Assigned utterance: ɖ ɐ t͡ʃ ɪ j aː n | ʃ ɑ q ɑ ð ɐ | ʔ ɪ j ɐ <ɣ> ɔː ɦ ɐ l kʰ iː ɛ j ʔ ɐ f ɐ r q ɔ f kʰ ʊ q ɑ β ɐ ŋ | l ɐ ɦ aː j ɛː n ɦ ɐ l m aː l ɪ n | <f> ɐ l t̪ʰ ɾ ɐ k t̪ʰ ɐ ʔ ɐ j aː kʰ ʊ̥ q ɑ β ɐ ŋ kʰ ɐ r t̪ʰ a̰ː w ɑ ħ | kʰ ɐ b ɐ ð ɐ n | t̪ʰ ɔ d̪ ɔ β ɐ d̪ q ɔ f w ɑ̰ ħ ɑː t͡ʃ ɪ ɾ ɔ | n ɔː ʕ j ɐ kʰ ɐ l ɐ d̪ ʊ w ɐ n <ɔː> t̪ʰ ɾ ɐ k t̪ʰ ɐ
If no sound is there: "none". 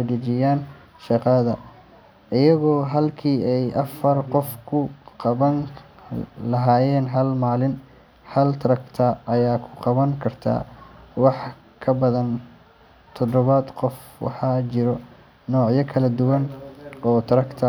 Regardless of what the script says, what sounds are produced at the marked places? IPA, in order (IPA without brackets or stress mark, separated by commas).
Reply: ɣ, h, ɔː